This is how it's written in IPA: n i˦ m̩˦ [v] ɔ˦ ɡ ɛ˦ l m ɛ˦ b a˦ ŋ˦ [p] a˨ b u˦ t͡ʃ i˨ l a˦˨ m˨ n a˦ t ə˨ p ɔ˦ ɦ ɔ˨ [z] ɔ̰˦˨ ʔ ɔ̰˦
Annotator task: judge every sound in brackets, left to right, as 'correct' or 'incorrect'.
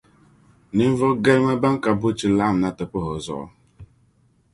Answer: correct, incorrect, correct

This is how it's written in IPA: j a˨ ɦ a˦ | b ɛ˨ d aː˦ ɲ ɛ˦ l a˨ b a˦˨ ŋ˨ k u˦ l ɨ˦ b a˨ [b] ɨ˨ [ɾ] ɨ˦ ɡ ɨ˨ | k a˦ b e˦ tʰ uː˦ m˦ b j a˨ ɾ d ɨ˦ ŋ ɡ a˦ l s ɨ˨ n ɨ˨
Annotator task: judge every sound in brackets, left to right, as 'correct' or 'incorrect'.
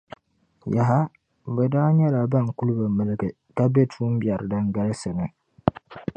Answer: incorrect, incorrect

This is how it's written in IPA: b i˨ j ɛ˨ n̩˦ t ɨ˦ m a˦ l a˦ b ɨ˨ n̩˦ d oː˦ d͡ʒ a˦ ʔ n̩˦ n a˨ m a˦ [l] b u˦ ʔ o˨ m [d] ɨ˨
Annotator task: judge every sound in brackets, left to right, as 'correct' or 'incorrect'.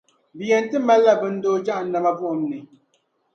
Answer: incorrect, incorrect

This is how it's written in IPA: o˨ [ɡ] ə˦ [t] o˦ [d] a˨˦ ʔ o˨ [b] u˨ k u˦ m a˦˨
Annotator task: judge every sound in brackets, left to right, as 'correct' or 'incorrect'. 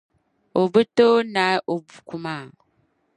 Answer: incorrect, correct, incorrect, correct

